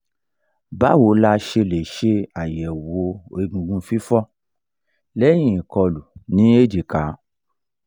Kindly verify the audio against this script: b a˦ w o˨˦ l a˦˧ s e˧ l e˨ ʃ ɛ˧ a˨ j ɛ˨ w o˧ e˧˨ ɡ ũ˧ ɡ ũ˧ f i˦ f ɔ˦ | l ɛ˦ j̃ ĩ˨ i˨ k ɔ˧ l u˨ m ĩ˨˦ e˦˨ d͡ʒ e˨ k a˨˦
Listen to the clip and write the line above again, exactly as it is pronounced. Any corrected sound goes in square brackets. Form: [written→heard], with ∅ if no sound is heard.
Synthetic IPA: b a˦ w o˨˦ l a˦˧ [s→ʃ] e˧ l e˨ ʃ [ɛ˧→e˧] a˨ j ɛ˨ w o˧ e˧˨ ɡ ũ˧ ɡ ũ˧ f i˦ f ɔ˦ | l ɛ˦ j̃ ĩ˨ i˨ k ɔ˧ l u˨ [m→n] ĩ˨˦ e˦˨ d͡ʒ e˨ k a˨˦